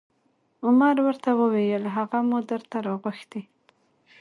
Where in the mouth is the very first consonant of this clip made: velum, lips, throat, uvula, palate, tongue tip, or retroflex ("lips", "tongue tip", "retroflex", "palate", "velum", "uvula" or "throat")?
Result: lips